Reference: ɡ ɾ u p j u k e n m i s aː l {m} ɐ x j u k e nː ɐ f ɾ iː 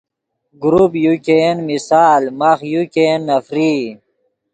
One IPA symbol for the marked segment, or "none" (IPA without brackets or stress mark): m